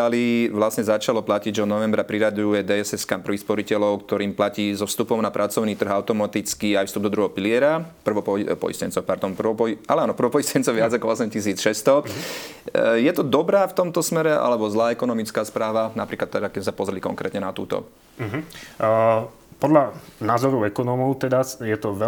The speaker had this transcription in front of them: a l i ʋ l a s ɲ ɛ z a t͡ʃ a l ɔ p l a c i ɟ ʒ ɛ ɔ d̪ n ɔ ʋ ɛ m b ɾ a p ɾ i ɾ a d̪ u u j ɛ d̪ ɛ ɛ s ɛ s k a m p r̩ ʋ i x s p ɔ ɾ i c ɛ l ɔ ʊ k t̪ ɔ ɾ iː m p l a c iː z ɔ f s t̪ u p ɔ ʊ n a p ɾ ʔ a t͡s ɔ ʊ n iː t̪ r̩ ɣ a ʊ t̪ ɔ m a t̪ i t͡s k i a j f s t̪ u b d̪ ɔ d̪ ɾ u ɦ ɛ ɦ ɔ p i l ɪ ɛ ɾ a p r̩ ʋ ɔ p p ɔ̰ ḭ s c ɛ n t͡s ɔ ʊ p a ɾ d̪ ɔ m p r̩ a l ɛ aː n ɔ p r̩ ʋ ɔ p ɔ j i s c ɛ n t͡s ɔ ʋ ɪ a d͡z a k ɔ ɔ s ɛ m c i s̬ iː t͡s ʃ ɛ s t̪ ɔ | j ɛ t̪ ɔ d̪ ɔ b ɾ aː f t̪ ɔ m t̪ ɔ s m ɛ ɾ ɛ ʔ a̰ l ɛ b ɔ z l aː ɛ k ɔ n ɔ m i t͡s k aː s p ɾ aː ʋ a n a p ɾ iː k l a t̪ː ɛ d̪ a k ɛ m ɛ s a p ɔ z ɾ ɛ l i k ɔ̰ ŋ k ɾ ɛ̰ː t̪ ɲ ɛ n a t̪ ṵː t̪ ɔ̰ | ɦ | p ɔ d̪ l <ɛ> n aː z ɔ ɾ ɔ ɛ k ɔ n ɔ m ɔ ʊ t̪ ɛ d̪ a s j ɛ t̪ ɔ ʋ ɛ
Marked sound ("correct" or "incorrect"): incorrect